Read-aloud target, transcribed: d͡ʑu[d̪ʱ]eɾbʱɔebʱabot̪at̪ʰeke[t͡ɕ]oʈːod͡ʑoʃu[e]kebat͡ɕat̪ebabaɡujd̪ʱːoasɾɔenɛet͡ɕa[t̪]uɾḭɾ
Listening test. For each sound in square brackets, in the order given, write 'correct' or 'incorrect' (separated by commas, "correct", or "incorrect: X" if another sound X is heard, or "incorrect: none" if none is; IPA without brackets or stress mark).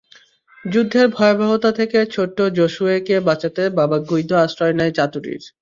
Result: incorrect: d̪ʱː, incorrect: t͡ɕʰ, correct, correct